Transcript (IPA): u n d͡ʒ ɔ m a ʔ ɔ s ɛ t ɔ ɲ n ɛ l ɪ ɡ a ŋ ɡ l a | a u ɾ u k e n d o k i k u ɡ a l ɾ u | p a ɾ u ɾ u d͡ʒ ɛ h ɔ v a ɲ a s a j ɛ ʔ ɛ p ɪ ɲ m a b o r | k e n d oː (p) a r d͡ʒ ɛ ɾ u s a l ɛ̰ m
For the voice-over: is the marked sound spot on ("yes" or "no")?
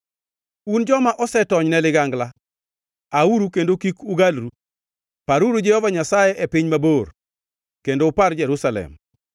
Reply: yes